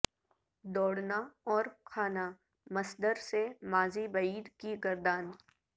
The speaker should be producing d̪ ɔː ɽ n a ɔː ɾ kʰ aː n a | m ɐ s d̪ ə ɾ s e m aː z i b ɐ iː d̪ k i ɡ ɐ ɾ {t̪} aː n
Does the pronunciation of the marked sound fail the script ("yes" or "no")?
yes